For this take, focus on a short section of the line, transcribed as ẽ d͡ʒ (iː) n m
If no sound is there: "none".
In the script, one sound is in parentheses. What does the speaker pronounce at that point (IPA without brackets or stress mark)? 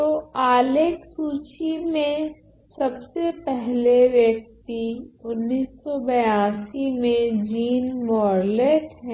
iː